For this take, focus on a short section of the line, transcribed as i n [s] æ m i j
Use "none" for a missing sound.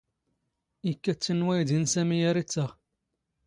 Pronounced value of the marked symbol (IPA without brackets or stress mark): s